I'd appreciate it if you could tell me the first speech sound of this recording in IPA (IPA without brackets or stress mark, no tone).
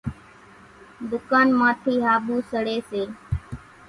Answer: d̪